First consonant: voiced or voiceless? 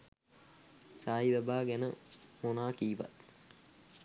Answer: voiceless